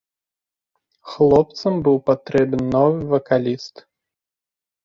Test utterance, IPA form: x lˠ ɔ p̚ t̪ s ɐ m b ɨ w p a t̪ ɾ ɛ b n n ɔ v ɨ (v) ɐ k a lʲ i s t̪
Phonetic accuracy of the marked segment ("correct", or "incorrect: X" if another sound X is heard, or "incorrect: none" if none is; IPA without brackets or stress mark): correct